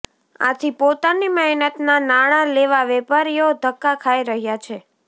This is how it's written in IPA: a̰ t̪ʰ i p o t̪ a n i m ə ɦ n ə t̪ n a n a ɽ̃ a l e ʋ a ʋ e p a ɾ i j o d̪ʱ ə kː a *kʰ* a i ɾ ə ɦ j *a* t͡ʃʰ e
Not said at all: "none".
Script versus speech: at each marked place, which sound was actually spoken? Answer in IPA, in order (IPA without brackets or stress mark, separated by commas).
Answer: kʰ, a